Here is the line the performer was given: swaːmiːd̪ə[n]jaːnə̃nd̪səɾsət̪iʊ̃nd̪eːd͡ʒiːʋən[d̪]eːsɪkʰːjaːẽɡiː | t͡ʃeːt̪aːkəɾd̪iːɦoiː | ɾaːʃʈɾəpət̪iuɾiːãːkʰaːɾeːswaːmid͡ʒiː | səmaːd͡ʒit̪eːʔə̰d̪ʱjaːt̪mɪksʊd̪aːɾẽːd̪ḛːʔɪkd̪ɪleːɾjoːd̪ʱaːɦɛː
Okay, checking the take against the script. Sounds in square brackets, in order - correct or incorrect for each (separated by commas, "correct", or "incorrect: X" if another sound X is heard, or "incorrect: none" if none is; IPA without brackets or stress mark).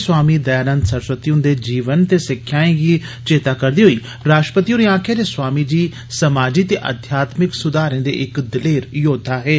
incorrect: none, incorrect: t̪